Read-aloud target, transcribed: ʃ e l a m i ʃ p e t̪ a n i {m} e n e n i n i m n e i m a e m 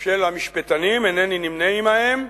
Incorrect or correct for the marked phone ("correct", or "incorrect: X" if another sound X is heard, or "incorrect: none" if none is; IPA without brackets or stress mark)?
correct